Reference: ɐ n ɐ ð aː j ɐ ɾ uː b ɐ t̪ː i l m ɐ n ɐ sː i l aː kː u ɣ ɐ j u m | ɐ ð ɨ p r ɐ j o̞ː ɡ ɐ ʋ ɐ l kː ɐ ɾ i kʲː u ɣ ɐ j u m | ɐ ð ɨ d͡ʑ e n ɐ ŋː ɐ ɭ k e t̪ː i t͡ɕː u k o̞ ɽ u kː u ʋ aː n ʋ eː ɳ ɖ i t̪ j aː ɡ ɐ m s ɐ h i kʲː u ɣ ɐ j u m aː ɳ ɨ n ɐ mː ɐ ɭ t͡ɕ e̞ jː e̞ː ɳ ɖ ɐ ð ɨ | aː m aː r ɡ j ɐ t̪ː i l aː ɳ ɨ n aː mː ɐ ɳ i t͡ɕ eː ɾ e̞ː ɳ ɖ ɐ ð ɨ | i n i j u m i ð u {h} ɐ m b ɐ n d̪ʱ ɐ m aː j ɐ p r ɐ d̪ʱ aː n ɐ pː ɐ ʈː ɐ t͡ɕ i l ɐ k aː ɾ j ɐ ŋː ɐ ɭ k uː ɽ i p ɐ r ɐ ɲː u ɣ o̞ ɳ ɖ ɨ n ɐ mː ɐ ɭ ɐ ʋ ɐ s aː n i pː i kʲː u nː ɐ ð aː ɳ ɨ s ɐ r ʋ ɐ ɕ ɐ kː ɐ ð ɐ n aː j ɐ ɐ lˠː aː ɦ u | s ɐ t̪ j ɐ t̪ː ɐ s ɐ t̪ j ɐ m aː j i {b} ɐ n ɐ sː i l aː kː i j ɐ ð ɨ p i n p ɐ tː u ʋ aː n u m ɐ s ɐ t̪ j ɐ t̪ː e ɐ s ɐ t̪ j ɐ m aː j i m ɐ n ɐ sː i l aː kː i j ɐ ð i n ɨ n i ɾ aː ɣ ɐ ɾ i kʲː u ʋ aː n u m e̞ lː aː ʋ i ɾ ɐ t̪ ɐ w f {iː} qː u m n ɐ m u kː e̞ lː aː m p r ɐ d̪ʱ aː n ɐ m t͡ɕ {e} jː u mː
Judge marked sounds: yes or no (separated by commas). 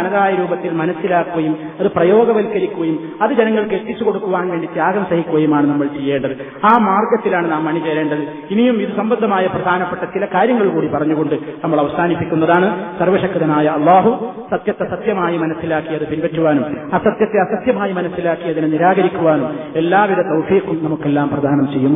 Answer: no, no, yes, yes